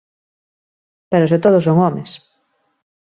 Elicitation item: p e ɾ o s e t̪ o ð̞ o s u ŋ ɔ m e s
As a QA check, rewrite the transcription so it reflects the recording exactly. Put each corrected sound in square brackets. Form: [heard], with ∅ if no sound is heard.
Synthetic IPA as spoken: p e ɾ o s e t̪ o ð̞ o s [o] ŋ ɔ m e s